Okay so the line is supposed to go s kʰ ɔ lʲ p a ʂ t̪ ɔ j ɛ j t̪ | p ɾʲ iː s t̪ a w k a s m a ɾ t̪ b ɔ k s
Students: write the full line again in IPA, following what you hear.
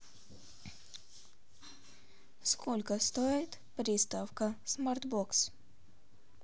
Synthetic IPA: s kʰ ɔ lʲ k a s t̪ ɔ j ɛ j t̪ | p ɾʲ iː s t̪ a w k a s m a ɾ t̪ b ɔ k s